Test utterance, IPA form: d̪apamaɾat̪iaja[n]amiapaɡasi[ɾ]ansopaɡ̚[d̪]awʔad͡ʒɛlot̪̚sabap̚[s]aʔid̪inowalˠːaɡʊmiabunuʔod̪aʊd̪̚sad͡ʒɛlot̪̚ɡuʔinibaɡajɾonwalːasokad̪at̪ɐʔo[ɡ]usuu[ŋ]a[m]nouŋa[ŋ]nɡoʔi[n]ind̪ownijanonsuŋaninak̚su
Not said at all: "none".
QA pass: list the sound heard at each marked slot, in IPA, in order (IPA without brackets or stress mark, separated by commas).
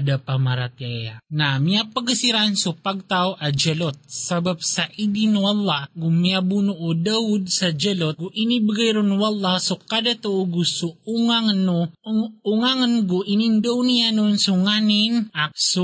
n, ɾ, t̪, s, ɡ, ŋ, ŋ, ŋ, n